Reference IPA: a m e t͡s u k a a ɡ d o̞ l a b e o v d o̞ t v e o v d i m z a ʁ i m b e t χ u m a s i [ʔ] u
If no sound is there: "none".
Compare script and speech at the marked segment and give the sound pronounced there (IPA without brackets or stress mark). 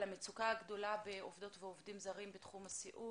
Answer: ʔ